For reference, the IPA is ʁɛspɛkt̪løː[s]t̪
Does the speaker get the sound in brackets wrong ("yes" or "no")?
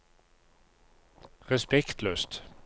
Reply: no